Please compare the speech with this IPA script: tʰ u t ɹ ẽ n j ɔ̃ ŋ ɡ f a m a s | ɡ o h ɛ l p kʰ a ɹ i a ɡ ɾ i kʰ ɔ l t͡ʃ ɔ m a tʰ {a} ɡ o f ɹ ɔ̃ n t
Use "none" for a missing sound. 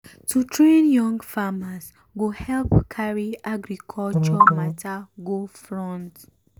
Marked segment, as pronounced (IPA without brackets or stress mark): a